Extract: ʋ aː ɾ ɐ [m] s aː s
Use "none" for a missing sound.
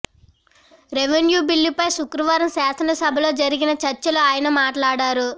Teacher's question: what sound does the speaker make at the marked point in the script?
m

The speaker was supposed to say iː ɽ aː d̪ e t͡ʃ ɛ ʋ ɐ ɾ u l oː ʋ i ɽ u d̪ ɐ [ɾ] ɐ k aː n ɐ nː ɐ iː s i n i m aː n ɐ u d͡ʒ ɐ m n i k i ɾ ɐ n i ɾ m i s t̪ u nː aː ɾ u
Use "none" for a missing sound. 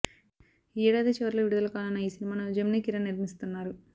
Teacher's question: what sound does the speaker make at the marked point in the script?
l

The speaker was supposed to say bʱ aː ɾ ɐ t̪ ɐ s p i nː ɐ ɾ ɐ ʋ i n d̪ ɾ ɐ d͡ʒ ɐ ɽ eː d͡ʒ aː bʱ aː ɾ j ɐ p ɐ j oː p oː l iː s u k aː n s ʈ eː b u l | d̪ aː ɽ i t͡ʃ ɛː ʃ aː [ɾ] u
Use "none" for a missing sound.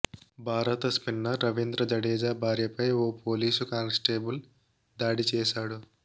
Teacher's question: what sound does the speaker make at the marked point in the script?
ɽ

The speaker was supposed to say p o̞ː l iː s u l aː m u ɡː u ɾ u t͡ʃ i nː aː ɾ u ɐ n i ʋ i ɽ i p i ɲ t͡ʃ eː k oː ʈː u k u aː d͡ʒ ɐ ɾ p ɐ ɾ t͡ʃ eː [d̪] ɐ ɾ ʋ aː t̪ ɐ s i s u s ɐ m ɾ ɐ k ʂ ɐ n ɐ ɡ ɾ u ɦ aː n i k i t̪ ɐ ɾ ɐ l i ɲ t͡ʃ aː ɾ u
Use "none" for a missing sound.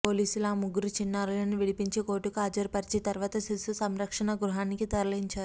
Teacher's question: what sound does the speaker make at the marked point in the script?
t̪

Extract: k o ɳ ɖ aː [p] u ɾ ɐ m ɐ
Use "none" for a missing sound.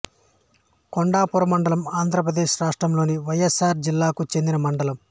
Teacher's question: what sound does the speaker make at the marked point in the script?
p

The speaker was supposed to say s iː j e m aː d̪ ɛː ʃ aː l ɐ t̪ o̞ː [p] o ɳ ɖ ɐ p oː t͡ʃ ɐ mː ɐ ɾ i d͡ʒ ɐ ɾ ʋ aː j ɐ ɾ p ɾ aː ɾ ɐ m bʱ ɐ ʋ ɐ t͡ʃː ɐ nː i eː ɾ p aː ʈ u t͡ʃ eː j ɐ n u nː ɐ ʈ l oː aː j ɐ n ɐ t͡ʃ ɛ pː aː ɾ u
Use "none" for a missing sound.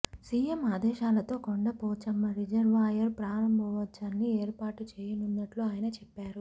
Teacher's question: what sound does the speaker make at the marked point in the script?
k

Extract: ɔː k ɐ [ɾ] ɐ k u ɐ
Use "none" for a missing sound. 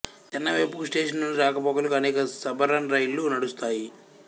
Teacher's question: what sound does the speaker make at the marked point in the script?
l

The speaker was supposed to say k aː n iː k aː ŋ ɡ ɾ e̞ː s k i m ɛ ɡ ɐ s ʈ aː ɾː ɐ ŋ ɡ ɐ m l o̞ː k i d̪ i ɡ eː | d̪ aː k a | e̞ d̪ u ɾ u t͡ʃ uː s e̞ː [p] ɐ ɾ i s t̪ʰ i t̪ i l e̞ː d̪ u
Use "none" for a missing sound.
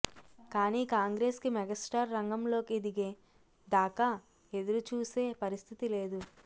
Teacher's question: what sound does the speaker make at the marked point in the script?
p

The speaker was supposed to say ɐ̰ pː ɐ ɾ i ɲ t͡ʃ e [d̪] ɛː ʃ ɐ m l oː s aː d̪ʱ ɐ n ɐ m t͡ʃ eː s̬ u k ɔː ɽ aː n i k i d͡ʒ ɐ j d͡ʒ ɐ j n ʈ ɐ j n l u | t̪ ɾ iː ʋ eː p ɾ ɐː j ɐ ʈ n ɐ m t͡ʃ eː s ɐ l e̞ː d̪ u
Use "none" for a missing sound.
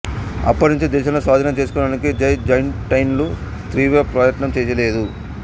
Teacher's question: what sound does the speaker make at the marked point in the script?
d̪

